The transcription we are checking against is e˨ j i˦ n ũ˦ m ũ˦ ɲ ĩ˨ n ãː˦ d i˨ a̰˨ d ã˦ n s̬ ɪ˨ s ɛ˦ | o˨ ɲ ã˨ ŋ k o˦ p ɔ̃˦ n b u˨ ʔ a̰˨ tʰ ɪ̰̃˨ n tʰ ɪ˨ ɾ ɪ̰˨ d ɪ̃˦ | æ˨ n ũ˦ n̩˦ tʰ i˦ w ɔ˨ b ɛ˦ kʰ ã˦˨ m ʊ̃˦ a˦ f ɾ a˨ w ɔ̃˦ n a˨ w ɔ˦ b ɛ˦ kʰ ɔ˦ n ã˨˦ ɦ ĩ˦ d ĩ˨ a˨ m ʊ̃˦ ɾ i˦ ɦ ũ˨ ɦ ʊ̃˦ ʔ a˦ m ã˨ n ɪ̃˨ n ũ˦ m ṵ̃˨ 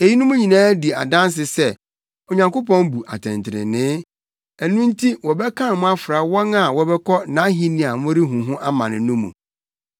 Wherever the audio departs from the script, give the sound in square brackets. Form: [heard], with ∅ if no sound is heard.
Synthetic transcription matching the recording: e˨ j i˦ n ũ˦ m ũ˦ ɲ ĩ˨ n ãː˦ d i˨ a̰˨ d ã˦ n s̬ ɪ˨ s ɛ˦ | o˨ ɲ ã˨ ŋ k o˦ p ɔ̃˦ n b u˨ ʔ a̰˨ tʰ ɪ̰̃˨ n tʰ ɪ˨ ɾ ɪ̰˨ [n] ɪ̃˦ | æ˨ n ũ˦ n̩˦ tʰ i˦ w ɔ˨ b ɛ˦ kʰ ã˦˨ m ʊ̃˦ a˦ f ɾ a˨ w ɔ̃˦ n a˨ w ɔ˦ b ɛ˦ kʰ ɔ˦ n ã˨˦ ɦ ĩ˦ [n] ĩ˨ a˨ m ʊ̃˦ ɾ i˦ ɦ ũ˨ ɦ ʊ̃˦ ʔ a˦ m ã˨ n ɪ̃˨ n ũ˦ m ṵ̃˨